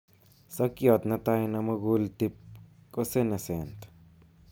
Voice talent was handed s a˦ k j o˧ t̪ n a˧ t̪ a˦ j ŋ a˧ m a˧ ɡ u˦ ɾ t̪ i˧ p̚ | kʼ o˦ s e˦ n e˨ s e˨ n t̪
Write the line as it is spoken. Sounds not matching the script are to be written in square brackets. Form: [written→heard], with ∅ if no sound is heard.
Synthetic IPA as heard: s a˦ k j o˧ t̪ n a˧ t̪ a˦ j [ŋ→n] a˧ m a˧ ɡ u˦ [ɾ→l] t̪ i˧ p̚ | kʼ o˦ s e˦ n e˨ s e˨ n t̪